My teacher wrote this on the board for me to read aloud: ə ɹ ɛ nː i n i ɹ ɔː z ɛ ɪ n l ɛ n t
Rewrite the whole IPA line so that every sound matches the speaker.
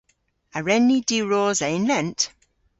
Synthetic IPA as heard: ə ɹ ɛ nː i d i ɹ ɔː z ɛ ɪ n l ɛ n t